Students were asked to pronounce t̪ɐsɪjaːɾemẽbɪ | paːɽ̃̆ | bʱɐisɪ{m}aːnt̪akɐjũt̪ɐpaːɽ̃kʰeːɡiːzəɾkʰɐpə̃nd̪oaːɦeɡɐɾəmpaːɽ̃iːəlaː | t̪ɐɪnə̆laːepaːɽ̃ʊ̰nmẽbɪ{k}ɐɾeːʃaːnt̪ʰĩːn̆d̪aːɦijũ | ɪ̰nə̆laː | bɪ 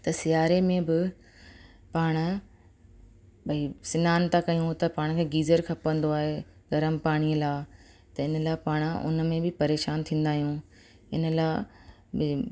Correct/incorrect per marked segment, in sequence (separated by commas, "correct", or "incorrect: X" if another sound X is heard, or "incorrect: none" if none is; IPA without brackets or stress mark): incorrect: n, incorrect: p